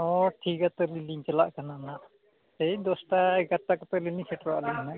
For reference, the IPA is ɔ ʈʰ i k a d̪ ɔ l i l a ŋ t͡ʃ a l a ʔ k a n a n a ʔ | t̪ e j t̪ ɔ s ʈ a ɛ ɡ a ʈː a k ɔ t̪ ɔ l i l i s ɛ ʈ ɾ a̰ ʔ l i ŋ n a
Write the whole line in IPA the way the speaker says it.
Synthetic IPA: ɔ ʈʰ i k a t̪ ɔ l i l i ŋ t͡ʃ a l a ʔ k a n a n a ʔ | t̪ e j d̪ ɔ s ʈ a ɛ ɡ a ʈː a k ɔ t̪ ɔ l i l i s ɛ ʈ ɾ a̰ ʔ l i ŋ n a